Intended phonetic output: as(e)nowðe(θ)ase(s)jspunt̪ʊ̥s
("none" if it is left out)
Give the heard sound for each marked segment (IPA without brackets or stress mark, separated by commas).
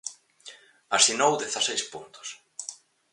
i, θ, none